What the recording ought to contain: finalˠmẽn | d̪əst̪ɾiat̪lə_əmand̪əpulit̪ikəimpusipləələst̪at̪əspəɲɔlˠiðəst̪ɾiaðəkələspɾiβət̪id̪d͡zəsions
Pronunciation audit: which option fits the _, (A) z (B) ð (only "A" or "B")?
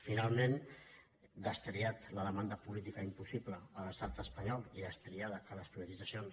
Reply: B